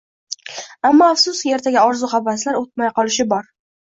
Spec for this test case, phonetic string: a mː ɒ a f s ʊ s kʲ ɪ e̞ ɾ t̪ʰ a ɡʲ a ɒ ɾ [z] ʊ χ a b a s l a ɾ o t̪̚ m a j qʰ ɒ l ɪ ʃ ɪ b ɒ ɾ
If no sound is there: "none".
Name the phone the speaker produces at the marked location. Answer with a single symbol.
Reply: z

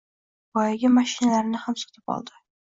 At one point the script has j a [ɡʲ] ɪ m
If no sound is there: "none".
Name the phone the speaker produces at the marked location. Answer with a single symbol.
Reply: ɡʲ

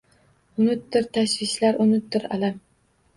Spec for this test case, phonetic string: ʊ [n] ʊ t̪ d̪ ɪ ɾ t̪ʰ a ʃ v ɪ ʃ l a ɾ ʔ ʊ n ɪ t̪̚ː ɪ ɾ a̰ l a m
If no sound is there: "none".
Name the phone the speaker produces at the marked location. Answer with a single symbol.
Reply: n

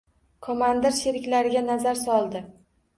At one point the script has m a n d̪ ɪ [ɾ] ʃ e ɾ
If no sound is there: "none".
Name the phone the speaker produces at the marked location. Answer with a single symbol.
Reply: ɾ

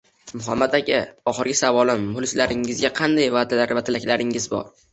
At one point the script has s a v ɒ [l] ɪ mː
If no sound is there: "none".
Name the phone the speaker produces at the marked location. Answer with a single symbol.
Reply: l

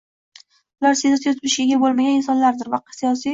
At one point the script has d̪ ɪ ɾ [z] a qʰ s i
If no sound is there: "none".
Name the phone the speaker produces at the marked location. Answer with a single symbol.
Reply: v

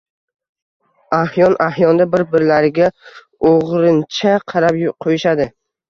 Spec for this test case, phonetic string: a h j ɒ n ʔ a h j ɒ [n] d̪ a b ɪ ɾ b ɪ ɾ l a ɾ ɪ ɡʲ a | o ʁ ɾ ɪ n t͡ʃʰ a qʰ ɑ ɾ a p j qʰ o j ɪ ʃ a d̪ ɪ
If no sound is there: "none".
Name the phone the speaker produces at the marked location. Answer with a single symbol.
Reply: n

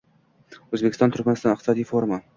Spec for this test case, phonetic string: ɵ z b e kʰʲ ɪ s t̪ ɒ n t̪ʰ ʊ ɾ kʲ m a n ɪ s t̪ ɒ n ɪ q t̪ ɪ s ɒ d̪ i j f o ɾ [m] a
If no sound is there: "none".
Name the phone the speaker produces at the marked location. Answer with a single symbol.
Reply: m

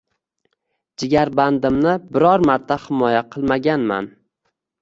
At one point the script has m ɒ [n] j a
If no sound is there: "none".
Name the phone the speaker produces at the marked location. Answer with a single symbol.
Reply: none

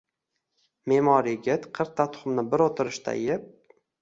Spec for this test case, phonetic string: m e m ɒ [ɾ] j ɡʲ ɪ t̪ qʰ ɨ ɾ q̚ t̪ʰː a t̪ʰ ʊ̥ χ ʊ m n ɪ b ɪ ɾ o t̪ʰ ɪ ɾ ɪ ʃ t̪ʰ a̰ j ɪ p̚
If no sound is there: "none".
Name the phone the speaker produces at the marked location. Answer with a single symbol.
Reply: ɾ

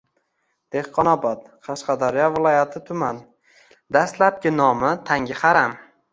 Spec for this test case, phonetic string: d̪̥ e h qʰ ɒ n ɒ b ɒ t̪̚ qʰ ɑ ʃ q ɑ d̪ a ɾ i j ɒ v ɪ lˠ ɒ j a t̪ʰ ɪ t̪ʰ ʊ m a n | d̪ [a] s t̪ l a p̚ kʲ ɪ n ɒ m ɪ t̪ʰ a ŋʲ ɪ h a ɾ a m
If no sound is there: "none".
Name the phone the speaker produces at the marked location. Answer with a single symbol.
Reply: a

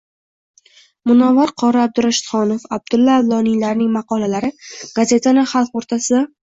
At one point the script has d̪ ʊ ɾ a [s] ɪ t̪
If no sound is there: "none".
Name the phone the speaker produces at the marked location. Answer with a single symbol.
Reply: ʃ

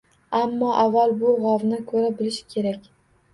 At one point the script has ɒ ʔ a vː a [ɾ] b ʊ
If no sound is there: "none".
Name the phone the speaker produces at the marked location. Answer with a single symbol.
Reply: l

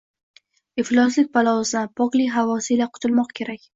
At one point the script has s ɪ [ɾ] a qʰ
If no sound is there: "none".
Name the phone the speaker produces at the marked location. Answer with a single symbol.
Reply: l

